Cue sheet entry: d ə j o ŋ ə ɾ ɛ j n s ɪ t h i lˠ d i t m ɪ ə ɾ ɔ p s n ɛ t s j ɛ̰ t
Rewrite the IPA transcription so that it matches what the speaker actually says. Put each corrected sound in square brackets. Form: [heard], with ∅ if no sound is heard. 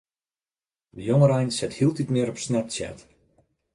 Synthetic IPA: d ə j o ŋ ə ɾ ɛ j n s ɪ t h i lˠ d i t m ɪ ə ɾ ɔ p s n ɛ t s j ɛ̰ t